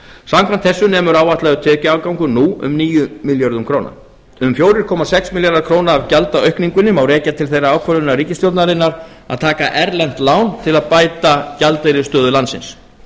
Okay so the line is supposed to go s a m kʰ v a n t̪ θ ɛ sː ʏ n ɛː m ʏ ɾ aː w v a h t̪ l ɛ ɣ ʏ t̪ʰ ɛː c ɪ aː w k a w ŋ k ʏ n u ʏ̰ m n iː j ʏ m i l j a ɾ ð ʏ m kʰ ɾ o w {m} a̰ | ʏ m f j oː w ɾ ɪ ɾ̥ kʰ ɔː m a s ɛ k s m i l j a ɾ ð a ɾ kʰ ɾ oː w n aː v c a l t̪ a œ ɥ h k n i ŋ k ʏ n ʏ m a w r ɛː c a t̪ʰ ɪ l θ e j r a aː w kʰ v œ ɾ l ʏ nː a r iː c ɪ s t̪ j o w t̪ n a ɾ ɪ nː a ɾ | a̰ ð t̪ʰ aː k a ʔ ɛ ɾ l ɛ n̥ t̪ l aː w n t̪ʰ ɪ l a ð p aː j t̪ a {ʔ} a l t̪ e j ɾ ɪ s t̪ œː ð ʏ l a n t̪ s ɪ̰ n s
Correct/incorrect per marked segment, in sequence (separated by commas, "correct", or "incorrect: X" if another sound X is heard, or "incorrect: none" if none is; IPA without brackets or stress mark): incorrect: n, incorrect: c